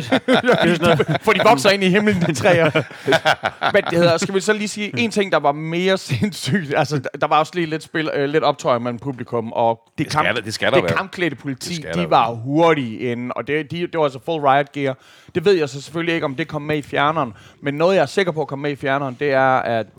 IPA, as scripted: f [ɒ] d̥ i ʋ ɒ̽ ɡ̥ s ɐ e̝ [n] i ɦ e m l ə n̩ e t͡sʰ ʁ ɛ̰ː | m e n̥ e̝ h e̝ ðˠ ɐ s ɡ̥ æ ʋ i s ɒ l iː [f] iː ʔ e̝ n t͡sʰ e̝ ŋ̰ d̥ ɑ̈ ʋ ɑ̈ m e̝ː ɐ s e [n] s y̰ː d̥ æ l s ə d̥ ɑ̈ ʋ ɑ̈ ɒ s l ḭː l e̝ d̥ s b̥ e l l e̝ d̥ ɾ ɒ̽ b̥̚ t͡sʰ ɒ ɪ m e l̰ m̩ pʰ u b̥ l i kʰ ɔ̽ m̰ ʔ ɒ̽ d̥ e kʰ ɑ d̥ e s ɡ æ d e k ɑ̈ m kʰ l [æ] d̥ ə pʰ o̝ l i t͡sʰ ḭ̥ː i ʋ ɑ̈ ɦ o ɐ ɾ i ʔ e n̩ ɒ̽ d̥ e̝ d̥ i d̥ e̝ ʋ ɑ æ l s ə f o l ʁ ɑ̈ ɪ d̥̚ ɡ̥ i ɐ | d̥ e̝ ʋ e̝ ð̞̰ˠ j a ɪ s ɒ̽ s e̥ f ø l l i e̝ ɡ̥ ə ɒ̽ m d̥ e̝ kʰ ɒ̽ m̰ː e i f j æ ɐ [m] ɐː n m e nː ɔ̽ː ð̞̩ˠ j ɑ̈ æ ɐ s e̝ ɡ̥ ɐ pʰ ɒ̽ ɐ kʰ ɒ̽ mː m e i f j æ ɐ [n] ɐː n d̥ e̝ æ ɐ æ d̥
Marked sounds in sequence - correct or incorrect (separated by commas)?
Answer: correct, correct, incorrect, correct, incorrect, incorrect, correct